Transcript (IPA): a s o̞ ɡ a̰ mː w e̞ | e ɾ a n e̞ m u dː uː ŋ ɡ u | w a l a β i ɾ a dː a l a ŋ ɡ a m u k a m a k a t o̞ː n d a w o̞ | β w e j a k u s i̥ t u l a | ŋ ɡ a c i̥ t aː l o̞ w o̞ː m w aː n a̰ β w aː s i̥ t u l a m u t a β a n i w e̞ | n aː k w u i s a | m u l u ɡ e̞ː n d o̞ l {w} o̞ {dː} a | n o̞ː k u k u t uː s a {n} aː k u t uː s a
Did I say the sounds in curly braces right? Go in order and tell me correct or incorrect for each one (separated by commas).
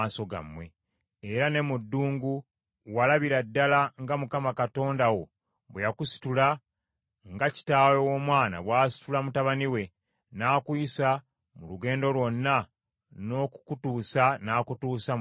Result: correct, incorrect, correct